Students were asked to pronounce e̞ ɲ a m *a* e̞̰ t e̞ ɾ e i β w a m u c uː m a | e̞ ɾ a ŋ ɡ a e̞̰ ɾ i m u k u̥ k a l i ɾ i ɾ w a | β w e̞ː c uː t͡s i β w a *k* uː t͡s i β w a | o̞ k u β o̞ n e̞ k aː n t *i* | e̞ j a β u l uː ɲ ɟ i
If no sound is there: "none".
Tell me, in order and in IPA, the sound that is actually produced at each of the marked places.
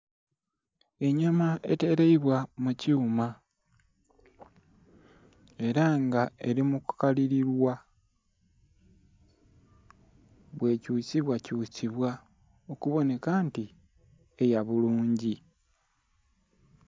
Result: a, c, i

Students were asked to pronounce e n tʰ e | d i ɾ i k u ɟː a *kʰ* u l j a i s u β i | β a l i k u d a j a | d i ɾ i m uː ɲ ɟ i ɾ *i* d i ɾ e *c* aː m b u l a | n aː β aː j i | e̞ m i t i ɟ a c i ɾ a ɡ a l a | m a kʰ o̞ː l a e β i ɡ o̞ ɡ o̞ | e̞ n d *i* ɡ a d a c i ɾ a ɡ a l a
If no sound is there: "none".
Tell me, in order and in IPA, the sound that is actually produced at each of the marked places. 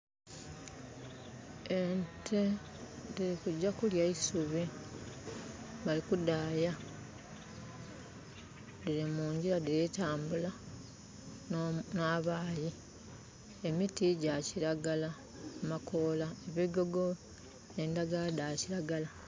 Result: k, a, t, a

